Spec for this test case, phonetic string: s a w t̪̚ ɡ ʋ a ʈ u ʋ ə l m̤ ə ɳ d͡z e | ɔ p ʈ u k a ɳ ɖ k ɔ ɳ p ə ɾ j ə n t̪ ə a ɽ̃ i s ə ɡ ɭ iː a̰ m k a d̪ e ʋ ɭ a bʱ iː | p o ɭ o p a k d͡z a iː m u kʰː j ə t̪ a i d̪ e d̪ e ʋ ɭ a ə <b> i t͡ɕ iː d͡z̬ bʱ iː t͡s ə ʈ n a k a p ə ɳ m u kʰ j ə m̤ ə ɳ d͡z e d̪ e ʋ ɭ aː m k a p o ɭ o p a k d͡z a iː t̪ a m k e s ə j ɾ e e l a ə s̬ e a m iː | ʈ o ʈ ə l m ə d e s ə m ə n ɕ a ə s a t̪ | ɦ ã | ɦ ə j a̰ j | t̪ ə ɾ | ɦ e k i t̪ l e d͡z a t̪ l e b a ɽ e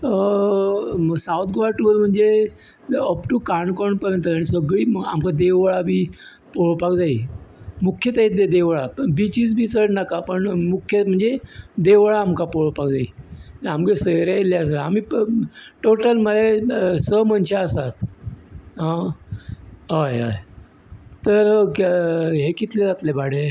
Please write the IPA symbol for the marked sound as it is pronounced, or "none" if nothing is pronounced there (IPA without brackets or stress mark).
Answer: b